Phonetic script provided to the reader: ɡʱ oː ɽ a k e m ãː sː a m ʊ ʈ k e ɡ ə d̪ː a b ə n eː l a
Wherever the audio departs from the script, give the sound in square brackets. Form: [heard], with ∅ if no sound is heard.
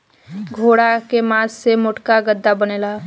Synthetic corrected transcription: ɡʱ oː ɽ a k e m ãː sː [e] m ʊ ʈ k [a] ɡ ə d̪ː a b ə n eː l a